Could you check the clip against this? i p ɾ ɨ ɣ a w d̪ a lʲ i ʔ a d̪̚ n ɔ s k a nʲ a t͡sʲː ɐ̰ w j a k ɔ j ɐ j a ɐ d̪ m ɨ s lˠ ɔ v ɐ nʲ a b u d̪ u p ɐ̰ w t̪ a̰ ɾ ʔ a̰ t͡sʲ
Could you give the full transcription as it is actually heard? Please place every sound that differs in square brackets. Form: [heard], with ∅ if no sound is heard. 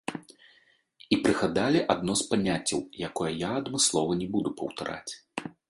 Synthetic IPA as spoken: i p ɾ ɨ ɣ a [∅] d̪ a lʲ i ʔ a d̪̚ n ɔ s [p] a nʲ a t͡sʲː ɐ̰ w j a k ɔ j ɐ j a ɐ d̪ m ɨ s lˠ ɔ v ɐ nʲ [ɛ] b u d̪ u p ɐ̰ w t̪ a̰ ɾ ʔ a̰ t͡sʲ